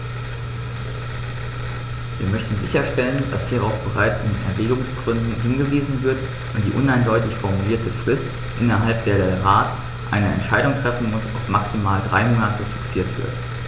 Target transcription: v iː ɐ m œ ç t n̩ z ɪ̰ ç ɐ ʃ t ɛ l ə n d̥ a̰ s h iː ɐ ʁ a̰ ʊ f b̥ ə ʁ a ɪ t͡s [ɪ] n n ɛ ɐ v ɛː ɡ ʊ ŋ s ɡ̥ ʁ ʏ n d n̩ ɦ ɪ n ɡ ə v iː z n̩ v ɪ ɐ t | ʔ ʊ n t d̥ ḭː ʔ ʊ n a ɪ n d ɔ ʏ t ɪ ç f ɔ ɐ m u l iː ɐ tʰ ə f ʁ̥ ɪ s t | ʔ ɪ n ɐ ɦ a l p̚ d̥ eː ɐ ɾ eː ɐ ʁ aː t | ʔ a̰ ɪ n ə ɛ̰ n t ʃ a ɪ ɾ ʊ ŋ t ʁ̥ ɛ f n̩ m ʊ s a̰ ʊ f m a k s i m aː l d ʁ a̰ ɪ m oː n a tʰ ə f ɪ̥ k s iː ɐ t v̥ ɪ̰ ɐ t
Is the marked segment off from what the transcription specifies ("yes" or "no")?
no